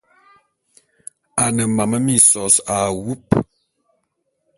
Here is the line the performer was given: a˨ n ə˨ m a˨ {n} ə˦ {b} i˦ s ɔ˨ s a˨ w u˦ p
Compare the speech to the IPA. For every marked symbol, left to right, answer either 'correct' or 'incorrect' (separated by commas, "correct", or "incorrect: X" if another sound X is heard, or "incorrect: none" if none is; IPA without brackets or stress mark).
incorrect: m, incorrect: m